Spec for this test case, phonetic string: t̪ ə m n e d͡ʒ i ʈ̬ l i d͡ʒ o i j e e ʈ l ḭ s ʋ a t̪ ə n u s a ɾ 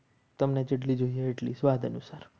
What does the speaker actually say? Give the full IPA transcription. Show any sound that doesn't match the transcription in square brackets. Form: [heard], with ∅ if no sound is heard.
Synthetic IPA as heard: t̪ ə m n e d͡ʒ [e] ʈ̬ l i d͡ʒ o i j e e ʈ l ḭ s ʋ a [d̪] ə n u s a ɾ